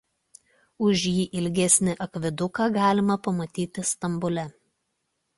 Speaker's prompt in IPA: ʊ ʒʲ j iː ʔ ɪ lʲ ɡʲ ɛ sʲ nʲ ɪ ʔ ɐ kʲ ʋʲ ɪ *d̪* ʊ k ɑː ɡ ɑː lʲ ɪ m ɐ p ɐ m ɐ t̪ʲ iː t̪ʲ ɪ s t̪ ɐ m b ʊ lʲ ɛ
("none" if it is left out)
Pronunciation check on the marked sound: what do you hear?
d̪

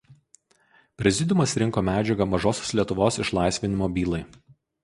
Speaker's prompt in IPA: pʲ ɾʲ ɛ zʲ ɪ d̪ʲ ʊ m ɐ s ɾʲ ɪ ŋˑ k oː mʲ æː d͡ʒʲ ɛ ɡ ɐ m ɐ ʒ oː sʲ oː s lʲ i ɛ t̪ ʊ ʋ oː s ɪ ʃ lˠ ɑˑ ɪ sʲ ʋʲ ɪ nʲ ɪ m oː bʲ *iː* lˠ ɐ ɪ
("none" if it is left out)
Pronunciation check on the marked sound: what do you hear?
iː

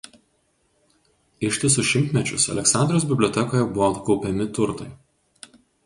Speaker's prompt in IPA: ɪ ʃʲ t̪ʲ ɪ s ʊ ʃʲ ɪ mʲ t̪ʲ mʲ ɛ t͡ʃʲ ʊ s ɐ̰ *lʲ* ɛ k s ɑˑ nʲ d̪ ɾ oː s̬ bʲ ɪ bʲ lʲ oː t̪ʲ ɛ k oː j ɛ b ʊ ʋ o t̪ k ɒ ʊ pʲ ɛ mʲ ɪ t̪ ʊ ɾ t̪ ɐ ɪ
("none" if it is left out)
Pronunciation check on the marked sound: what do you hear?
lʲ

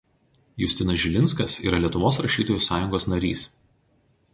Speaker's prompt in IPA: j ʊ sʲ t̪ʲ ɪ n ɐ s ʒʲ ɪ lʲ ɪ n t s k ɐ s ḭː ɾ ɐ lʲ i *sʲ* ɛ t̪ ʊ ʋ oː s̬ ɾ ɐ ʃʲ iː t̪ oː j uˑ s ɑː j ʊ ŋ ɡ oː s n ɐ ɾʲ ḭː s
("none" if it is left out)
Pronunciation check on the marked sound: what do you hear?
none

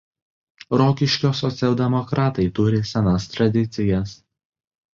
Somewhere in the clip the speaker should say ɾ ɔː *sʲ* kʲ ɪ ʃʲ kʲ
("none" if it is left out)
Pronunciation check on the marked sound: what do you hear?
none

